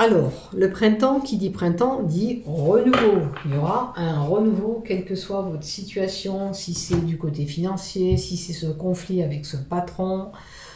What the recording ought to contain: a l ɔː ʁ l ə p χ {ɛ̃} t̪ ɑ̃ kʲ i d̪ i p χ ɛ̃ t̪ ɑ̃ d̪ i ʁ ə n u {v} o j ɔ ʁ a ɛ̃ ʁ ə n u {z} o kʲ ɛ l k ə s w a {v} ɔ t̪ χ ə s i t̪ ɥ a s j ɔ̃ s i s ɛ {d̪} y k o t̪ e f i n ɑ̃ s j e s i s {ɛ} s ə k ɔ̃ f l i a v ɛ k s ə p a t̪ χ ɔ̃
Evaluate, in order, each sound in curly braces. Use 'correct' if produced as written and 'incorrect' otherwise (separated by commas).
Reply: correct, correct, incorrect, correct, correct, correct